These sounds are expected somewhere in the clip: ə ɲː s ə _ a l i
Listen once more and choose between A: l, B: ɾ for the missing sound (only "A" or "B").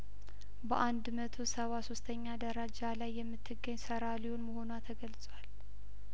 B